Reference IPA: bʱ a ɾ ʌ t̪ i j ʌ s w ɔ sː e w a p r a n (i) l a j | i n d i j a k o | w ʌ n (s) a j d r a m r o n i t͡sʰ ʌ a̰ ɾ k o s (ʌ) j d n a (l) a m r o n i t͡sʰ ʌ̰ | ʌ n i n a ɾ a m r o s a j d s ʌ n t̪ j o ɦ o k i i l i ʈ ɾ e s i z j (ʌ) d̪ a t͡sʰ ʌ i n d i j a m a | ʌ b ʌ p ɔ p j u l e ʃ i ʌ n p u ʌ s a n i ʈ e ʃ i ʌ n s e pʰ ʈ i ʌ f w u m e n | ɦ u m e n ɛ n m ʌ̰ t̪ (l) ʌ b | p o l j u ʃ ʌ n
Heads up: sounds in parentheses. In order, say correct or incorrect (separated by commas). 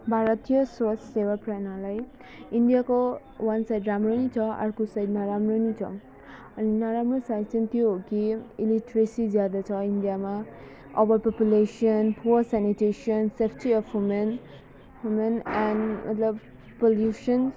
incorrect, correct, incorrect, incorrect, incorrect, correct